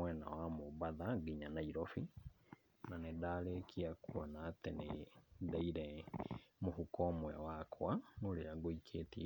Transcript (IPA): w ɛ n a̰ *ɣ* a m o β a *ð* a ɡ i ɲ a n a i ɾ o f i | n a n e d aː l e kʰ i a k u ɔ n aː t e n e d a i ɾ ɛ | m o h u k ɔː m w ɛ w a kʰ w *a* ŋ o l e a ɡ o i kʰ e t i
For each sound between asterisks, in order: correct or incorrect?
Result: incorrect, correct, correct

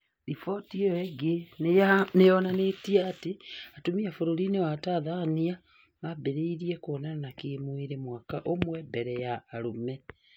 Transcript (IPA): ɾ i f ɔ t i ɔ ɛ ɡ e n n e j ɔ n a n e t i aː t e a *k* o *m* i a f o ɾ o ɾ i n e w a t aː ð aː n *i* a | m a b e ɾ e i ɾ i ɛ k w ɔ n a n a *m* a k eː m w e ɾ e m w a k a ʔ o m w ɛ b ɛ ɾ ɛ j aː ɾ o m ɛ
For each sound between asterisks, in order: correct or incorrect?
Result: incorrect, correct, correct, incorrect

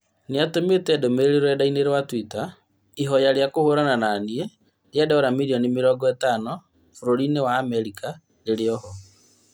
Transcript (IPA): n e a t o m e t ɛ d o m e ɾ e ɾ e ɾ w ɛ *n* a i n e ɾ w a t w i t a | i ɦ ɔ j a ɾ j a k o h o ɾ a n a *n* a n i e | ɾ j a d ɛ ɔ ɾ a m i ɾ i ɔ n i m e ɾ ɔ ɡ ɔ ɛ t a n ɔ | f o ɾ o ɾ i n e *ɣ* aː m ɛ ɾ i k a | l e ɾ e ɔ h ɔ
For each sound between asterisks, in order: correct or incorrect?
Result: incorrect, correct, incorrect

